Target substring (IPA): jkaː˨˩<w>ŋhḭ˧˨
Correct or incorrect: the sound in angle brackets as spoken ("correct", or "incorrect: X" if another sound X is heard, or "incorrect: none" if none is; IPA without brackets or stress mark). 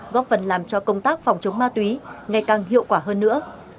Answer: incorrect: none